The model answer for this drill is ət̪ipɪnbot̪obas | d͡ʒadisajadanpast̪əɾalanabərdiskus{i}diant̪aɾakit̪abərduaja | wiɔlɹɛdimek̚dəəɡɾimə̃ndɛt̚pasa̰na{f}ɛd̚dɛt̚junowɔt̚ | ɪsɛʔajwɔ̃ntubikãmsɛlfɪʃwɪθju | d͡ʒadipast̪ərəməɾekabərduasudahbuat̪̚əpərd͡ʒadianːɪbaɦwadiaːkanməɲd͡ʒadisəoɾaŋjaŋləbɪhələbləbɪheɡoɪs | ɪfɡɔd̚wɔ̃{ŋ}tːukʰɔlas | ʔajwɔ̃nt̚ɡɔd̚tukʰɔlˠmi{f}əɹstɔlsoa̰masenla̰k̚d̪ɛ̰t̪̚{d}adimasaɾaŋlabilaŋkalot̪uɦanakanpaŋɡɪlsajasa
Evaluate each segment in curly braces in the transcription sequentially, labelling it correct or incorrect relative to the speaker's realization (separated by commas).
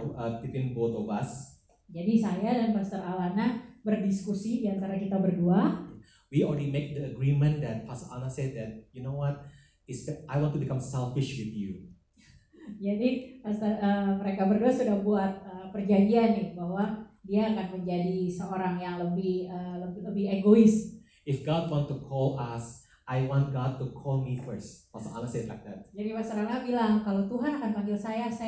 correct, incorrect, incorrect, correct, incorrect